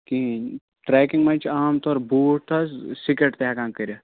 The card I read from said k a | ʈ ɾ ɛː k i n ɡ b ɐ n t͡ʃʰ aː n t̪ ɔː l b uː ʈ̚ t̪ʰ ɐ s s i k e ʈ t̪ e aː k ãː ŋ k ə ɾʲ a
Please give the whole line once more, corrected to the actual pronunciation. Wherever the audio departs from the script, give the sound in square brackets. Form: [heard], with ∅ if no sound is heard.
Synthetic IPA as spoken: k [i] | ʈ ɾ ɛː k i [ŋ] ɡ [m] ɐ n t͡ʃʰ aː [m] t̪ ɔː [ɾ] b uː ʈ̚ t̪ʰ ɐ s s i k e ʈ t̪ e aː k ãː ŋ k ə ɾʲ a